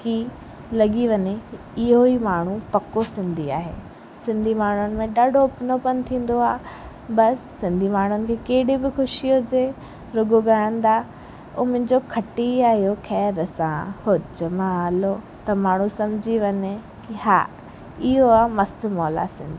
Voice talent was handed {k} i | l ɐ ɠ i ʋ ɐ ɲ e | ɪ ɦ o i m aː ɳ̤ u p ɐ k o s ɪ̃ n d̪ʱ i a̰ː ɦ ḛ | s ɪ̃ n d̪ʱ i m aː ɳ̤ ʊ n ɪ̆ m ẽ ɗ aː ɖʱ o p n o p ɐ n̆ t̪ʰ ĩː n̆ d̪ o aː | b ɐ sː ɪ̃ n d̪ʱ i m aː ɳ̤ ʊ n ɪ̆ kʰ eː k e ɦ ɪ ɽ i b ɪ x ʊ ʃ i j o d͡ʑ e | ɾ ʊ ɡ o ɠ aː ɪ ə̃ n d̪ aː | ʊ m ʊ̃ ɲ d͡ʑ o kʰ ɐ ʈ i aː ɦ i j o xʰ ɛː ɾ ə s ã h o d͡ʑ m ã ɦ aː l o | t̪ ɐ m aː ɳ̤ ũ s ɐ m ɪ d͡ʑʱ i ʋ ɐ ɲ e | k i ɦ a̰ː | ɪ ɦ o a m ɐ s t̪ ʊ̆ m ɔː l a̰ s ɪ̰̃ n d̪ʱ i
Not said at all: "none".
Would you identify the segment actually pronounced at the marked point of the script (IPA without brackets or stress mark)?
k